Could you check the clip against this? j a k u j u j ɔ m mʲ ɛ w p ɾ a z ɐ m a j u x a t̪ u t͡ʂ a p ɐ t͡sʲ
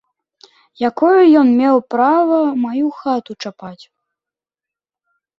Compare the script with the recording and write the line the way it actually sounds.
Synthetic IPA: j a k ɔ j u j ɔ n mʲ ɛ w p ɾ a v ɐ m a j u x a t̪ u t͡ʂ a p a t͡sʲ